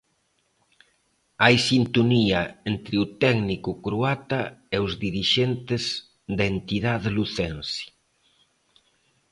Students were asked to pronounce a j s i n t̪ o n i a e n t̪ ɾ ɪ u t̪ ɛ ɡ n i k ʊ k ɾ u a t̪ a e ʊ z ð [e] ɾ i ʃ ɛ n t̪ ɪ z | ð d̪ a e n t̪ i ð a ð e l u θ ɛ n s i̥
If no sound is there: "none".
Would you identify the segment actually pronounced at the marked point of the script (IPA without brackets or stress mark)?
i